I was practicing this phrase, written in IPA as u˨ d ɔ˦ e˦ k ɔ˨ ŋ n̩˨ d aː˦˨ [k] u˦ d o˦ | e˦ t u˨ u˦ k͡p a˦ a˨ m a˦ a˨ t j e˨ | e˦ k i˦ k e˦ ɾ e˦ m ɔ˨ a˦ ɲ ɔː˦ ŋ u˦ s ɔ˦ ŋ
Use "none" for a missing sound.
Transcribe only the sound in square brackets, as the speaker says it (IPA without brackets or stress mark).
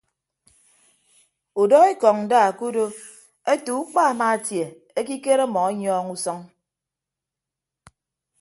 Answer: k